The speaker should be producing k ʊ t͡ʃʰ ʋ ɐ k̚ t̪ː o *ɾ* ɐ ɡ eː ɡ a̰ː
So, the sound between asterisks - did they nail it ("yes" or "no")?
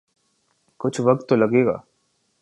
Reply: no